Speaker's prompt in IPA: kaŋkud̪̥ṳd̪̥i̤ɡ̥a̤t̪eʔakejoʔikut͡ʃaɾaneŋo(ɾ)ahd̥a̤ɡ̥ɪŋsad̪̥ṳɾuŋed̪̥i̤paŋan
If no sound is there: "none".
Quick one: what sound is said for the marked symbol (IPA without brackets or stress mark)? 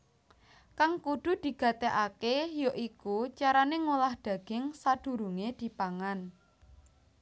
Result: l